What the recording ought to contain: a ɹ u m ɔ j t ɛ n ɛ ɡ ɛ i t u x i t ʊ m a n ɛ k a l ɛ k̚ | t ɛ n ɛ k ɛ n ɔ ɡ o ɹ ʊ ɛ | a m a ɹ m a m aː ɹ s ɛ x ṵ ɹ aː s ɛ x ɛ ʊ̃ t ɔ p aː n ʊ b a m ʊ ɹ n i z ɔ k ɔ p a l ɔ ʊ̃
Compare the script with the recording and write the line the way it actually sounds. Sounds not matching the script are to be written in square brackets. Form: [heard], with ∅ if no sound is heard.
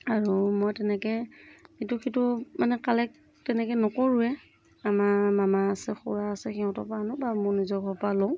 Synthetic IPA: a ɹ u m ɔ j t ɛ n ɛ [k] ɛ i t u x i t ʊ m a n ɛ k a l ɛ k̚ | t ɛ n ɛ k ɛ n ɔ [k] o ɹ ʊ ɛ | a m a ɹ m a m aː [∅] s ɛ x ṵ ɹ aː s ɛ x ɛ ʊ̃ t ɔ p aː n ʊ b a m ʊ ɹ n i z ɔ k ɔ p a l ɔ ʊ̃